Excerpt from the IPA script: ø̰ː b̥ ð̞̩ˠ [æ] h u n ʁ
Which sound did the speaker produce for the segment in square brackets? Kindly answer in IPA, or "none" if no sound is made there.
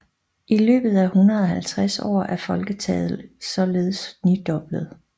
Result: æ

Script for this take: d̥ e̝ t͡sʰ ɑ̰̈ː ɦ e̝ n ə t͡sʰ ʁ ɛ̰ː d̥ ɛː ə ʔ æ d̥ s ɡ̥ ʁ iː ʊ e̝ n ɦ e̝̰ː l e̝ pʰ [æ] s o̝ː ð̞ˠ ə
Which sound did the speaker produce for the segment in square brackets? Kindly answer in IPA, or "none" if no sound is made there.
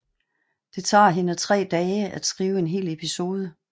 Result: i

